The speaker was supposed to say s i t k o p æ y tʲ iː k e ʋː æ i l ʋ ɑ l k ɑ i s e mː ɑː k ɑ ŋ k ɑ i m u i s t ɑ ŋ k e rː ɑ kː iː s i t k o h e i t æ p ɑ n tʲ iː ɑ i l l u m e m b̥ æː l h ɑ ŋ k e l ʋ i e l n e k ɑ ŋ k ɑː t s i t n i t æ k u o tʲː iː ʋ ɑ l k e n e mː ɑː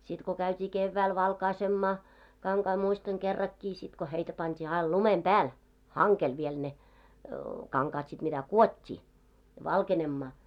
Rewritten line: s i t k o k æ y tʲ iː k e ʋː æ i l ʋ ɑ l k ɑ i s e mː ɑː k ɑ ŋ k ɑ i m u i s t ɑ ŋ k e rː ɑ kː iː s i t k o h e i t æ p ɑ n tʲ iː ɑ i l l u m e m b̥ æː l h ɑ ŋ k e l ʋ i e l n e k ɑ ŋ k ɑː t s i t m i t æ k u o tʲː iː ʋ ɑ l k e n e mː ɑː